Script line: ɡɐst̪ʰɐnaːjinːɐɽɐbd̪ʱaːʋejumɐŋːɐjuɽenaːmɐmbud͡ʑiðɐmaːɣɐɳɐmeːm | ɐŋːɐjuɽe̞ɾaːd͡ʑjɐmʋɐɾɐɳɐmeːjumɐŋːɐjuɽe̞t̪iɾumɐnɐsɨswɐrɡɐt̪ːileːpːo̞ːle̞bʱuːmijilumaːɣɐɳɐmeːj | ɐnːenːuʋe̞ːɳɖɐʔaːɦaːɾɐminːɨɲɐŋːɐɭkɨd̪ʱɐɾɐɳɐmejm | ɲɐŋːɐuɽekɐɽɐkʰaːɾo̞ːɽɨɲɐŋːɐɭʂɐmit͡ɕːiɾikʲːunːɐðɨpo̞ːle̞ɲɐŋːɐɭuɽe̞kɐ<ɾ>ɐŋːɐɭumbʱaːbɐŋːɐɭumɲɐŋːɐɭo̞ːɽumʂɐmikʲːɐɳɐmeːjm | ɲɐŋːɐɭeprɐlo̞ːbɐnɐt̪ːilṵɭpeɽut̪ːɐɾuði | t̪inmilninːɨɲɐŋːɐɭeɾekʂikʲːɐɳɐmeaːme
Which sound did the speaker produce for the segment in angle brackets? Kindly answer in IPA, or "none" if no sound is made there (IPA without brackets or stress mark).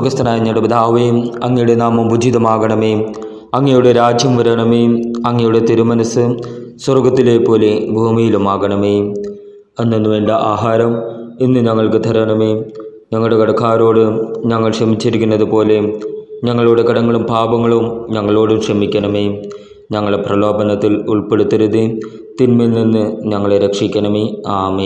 ɽ